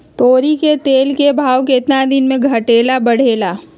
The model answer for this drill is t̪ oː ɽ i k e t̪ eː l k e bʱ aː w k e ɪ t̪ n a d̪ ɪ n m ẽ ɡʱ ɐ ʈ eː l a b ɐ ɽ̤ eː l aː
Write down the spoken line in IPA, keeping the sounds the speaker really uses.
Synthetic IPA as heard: t̪ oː ɾ i k e t̪ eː l k e bʱ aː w k e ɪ t̪ n a d̪ ɪ n m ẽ ɡʱ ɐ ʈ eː l a b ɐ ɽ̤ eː l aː